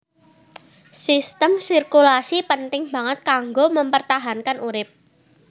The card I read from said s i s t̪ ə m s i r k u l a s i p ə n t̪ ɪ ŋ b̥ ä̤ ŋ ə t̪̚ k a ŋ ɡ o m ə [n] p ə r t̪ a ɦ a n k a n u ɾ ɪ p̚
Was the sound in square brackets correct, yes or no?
no